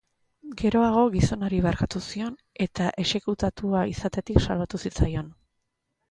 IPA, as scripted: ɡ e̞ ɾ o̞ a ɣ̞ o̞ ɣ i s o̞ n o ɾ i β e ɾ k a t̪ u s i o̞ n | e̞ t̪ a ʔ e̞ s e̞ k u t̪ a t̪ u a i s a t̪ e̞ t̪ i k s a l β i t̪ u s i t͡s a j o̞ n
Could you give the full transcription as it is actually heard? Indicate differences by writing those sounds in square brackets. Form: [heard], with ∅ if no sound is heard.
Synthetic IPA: ɡ e̞ ɾ o̞ a ɣ̞ o̞ ɣ i s o̞ n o ɾ i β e ɾ k a t̪ u s i o̞ n | e̞ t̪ a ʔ e̞ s e̞ k u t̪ a t̪ u a i s a t̪ e̞ t̪ i k s a l β [a] t̪ u s i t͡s a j o̞ n